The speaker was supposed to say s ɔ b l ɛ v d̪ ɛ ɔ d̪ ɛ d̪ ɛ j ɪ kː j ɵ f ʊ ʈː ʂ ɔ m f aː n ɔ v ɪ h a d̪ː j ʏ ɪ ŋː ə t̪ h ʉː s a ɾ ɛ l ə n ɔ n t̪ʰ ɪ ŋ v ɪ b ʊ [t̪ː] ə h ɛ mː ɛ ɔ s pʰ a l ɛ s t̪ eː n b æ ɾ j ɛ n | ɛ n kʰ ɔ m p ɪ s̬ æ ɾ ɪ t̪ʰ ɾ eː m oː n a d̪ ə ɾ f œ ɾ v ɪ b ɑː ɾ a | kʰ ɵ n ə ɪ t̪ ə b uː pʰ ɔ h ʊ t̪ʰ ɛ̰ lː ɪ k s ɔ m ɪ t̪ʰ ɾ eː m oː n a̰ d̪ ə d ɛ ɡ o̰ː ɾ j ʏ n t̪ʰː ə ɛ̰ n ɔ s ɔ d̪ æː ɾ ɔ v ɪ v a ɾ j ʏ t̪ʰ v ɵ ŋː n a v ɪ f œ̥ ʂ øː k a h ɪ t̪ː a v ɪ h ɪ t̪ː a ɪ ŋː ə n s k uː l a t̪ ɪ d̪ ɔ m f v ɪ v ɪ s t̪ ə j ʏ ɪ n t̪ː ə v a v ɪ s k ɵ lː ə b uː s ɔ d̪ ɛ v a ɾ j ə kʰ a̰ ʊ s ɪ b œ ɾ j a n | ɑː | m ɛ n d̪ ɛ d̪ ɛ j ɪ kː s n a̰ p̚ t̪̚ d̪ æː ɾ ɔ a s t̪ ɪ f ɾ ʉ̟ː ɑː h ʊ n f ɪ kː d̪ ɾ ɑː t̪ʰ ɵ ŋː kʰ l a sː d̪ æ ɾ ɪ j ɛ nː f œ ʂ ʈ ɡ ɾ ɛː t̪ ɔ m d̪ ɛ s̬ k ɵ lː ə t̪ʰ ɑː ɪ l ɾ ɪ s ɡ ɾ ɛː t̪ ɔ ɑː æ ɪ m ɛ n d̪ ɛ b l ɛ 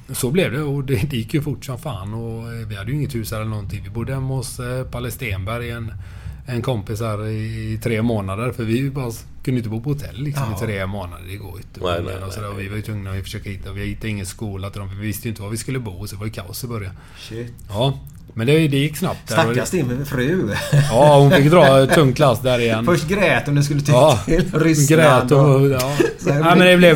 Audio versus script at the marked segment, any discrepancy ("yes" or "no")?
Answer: yes